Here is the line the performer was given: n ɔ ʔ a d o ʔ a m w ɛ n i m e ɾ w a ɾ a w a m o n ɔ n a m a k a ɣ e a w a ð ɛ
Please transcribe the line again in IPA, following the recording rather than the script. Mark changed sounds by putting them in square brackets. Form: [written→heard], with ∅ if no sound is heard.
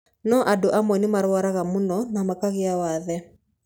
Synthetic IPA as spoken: n ɔ ʔ a d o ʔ a m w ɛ n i m [e→a] ɾ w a ɾ a [w→ɣ] a m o n ɔ n a m a k a ɣ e a w a ð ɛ